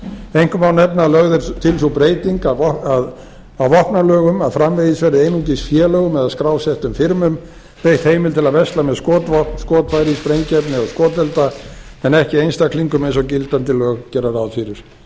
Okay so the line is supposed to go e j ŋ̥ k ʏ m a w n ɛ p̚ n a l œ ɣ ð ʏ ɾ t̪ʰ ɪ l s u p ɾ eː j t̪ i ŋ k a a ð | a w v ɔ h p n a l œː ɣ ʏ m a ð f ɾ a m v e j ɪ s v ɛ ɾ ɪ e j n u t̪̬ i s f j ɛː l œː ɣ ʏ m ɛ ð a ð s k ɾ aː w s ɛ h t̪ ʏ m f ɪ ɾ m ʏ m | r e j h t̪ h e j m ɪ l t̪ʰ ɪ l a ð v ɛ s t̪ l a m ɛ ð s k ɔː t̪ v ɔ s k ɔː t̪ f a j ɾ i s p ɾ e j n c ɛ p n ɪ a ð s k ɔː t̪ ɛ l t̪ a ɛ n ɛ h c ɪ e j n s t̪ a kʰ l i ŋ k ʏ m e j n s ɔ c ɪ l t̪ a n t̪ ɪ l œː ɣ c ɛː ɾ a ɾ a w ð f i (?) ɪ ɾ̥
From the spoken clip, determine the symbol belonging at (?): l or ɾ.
ɾ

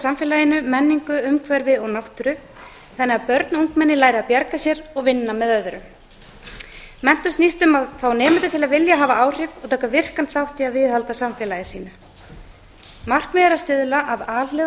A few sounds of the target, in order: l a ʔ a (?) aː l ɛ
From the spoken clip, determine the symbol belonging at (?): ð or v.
ð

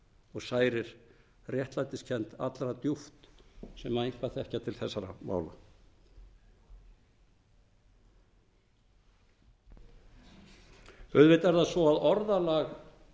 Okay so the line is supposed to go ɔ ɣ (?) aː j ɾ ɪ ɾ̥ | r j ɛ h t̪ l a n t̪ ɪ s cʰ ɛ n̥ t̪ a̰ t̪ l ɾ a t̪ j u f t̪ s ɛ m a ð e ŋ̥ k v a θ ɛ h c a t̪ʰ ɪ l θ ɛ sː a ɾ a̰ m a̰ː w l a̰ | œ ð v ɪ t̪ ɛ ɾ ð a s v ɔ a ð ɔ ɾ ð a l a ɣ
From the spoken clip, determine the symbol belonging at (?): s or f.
s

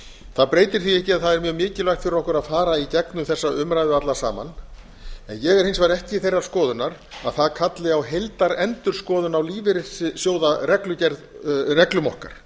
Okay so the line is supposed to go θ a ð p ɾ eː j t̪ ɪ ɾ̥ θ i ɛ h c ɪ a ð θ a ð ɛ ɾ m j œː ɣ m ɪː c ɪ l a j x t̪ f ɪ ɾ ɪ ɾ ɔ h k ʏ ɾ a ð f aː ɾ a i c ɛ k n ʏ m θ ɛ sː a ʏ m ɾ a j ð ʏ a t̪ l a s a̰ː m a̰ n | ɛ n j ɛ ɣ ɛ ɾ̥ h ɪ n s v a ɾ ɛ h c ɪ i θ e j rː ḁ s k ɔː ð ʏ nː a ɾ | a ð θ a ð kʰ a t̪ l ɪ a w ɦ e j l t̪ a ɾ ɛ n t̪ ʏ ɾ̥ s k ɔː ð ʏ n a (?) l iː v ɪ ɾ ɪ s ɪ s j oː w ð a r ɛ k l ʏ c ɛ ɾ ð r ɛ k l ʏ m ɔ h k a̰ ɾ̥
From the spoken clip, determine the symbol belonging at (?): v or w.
w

